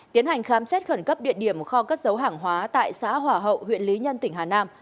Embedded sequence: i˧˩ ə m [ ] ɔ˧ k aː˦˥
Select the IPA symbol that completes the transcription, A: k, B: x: B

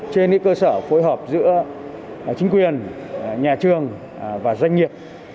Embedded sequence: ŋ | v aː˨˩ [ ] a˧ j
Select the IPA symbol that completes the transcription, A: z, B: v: A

